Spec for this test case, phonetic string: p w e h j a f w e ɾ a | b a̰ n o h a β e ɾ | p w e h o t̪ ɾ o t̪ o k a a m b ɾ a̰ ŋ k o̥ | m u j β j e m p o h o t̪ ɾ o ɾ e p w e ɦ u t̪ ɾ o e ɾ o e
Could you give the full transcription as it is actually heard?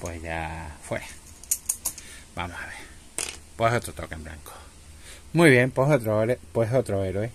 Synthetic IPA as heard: p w e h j a f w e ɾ a | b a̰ m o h a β e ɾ | p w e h o t̪ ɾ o t̪ o k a e m b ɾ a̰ ŋ k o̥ | m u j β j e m p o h o t̪ ɾ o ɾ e p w e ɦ o t̪ ɾ o e ɾ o e